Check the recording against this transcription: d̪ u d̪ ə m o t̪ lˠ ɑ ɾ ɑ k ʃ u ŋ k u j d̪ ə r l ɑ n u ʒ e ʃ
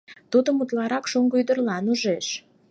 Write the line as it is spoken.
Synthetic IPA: t̪ u d̪ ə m u t̪ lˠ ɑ ɾ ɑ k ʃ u ŋ ɡ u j d̪ ə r l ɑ n u ʒ e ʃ